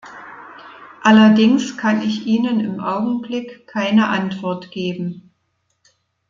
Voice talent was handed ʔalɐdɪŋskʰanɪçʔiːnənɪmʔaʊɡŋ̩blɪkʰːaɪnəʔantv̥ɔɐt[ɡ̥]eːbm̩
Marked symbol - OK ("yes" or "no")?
yes